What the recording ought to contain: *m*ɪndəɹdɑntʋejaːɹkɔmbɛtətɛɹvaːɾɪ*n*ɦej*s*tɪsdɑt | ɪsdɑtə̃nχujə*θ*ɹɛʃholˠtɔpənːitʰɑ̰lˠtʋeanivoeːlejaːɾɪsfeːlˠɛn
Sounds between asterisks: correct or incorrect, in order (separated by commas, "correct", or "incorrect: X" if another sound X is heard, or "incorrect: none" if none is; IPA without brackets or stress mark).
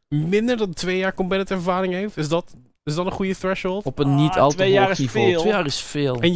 correct, incorrect: ŋ, incorrect: f, correct